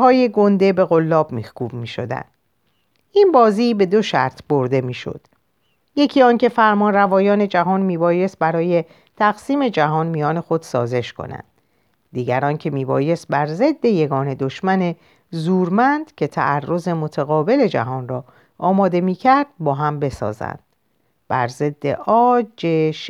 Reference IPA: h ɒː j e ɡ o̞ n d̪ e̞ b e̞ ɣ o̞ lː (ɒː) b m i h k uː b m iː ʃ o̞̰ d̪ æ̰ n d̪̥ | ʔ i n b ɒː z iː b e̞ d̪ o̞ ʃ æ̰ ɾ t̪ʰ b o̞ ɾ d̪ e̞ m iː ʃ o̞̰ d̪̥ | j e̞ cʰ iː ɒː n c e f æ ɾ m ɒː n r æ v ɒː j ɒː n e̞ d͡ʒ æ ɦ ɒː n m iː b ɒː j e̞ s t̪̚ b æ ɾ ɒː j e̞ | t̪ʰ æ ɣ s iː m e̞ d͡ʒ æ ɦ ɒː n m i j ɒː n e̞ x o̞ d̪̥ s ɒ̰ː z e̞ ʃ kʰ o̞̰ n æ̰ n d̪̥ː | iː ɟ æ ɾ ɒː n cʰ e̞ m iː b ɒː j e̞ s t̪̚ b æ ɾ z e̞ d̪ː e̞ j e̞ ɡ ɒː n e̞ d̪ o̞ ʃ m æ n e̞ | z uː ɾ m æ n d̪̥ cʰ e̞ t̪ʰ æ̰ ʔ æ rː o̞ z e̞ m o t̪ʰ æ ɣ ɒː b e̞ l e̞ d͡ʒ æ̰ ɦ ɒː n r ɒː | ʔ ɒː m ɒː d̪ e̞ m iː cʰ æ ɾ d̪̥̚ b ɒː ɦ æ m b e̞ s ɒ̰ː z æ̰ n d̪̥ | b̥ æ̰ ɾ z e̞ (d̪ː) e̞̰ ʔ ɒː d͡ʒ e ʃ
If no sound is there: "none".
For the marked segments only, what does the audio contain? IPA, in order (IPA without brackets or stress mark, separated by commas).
ɒː, d̪ː